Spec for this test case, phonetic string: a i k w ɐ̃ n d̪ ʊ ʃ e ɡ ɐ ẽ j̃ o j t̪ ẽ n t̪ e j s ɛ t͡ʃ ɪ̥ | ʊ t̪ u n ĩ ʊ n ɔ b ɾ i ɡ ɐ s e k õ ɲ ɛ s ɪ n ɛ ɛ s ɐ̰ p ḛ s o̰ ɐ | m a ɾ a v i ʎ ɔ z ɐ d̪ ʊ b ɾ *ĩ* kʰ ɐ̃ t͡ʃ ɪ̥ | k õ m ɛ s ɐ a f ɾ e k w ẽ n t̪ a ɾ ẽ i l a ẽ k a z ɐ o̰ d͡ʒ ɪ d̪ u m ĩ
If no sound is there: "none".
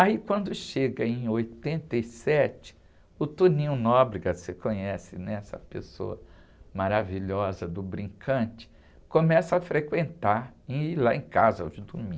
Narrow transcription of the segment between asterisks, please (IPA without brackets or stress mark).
ĩ